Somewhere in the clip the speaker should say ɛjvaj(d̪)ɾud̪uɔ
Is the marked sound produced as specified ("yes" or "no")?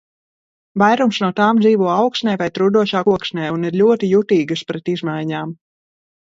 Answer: no